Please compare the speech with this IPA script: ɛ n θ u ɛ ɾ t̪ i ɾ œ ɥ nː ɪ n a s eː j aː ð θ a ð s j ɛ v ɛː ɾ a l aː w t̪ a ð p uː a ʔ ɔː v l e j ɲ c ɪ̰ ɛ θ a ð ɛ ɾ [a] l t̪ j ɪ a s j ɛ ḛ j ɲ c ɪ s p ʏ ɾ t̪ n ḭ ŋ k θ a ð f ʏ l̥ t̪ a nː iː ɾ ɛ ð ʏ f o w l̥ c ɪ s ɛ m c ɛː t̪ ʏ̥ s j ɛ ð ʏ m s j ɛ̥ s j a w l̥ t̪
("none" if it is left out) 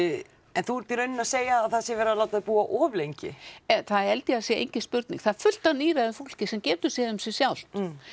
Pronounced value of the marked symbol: ɛ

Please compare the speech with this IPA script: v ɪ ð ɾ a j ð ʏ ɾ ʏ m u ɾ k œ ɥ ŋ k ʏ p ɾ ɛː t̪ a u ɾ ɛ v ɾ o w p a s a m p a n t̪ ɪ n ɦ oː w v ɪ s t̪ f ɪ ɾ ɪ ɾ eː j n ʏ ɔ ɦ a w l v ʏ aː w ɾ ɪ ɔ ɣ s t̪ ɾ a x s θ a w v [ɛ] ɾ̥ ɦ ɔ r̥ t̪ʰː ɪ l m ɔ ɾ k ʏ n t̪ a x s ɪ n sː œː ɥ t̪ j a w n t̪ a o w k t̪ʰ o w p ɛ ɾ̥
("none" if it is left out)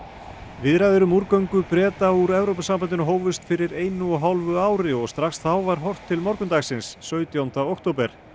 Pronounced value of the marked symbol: a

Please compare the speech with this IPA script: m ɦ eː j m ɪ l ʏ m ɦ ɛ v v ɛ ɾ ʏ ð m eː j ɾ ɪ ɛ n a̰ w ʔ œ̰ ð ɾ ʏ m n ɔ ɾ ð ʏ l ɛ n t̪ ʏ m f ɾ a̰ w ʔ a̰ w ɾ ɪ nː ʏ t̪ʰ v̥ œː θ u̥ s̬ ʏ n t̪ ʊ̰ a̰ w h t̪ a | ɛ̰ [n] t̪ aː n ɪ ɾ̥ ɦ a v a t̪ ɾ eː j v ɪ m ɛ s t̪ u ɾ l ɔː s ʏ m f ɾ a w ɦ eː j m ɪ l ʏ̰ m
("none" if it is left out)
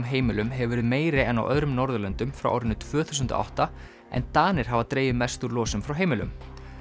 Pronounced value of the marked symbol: n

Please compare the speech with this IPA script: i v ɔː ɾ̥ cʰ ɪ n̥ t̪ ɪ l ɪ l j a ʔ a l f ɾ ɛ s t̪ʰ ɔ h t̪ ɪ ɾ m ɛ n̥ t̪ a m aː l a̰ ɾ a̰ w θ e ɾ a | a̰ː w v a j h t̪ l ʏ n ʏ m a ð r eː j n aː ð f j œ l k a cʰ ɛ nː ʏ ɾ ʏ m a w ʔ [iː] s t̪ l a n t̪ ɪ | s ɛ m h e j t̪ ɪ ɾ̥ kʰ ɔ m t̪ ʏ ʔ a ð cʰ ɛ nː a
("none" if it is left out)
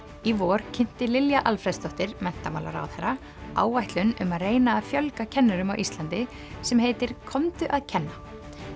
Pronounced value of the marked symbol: i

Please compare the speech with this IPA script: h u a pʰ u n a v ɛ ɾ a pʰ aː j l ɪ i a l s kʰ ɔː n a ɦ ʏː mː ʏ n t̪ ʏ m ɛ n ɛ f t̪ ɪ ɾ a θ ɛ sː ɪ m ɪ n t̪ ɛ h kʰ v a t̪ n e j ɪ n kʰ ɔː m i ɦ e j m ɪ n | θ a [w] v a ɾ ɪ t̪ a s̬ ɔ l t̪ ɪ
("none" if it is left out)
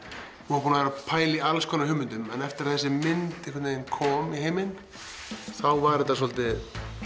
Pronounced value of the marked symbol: w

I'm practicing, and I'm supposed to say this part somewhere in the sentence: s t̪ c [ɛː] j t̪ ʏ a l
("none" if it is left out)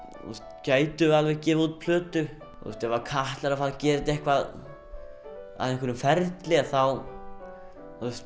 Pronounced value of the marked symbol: aː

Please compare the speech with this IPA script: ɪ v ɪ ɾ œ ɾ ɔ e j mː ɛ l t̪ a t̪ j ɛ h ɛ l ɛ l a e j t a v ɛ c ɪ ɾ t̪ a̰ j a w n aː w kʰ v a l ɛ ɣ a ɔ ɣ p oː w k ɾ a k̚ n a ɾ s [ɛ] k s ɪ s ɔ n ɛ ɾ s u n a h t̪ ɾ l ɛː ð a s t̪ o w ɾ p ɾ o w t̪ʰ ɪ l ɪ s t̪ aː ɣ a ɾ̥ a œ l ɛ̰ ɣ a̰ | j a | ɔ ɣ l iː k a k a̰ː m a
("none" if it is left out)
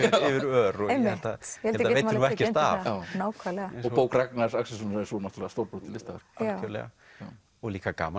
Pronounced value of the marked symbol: a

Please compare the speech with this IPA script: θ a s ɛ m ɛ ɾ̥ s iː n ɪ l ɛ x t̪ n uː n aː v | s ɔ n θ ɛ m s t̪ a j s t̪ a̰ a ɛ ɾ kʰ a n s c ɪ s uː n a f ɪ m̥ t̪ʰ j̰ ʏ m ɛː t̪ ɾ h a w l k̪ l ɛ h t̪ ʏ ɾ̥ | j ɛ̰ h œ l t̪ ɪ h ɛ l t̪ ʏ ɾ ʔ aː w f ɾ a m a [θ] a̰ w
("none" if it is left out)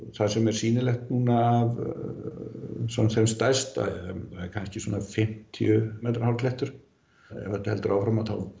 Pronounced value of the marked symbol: θ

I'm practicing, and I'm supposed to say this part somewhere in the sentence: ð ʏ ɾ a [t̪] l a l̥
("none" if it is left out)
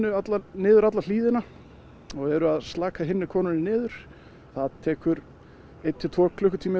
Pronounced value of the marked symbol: t̪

